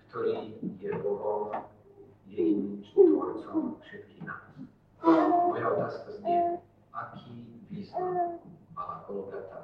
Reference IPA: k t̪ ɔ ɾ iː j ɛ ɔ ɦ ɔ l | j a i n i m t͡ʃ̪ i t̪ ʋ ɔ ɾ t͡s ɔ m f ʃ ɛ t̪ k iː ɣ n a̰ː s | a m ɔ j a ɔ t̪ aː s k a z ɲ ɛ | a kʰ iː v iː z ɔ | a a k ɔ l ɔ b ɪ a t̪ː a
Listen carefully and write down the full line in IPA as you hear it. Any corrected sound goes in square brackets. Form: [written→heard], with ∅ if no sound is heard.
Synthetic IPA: k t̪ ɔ ɾ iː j ɛ ɔ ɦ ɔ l | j [a→ɛ] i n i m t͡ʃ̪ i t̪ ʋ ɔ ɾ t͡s ɔ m f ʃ ɛ t̪ k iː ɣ n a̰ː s | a m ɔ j a ɔ t̪ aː s k a z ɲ ɛ | a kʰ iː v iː z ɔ | a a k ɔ l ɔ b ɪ a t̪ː a